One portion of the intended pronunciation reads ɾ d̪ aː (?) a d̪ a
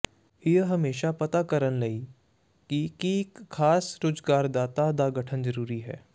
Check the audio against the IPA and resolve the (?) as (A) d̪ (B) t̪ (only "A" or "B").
B